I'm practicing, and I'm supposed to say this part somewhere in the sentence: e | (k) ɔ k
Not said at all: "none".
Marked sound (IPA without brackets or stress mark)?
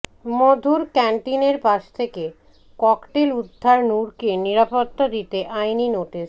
k